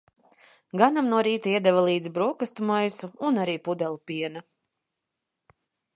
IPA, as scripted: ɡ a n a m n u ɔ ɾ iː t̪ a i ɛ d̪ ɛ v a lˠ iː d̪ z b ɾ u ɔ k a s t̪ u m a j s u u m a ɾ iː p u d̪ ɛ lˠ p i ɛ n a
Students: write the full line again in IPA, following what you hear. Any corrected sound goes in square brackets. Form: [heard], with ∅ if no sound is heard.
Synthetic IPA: ɡ a n a m n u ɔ ɾ iː t̪ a i ɛ d̪ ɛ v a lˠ iː d̪ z b ɾ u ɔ k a s t̪ u m a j s u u [n] a ɾ iː p u d̪ ɛ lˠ p i ɛ n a